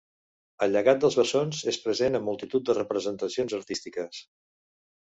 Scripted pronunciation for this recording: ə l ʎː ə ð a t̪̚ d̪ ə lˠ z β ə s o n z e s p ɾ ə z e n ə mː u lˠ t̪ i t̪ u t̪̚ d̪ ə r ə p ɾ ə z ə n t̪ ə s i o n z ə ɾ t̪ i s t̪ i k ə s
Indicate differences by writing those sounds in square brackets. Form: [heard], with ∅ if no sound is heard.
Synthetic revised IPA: ə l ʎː ə [ɣ] a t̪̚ d̪ ə lˠ z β ə s o n z e s p ɾ ə z e n ə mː u lˠ t̪ i t̪ u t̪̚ d̪ ə r ə p ɾ ə z ə n t̪ ə s i o n z ə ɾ t̪ i s t̪ i k ə s